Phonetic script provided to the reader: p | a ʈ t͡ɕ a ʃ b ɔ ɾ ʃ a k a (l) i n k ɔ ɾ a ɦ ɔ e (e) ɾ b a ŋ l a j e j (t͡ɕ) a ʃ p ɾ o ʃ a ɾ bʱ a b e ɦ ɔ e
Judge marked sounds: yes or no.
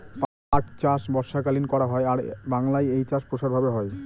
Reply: yes, no, yes

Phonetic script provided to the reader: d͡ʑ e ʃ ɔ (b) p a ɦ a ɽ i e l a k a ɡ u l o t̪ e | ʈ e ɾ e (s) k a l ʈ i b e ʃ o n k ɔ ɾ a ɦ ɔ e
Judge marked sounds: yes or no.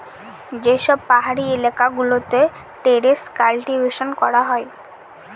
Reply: yes, yes

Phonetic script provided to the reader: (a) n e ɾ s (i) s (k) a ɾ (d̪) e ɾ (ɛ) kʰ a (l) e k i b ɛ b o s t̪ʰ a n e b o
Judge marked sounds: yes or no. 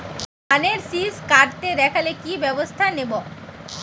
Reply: yes, yes, yes, no, yes, yes

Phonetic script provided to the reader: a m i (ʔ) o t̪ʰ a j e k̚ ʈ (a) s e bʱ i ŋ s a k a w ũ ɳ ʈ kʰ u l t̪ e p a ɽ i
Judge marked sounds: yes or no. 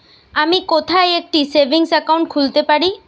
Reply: no, no

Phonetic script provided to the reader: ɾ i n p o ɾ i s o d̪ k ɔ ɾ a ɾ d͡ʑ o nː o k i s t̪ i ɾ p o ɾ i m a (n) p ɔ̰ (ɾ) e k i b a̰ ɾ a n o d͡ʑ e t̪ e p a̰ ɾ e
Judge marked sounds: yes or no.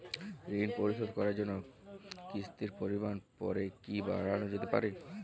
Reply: yes, yes

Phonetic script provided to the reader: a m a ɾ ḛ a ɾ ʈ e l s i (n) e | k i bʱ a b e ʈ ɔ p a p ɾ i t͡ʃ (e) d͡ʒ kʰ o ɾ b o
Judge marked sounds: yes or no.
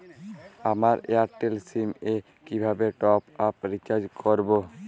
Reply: no, no

